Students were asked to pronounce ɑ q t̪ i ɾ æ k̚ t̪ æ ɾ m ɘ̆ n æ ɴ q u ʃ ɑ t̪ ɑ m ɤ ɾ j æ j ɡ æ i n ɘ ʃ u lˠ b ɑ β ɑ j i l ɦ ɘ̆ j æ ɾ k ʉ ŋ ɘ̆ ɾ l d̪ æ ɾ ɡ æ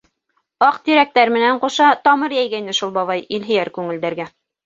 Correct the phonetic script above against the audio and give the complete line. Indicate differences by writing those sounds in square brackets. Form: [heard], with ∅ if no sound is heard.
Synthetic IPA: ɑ q t̪ i ɾ æ k̚ t̪ æ ɾ m ɘ̆ n æ ɴ q u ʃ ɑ t̪ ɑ m ɤ ɾ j æ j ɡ æ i n ɘ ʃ u lˠ b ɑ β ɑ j i l ɦ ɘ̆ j æ ɾ k ʉ ŋ ɘ̆ [∅] l d̪ æ ɾ ɡ æ